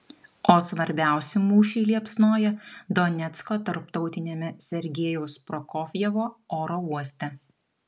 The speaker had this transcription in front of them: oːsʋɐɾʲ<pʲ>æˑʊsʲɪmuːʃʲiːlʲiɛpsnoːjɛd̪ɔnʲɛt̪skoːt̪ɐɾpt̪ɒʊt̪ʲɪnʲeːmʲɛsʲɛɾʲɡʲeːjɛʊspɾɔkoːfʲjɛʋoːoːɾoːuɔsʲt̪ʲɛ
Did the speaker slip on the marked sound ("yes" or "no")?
yes